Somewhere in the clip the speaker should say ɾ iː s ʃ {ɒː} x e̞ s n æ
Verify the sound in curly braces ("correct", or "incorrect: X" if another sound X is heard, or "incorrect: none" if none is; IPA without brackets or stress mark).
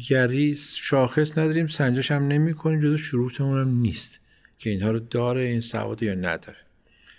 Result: correct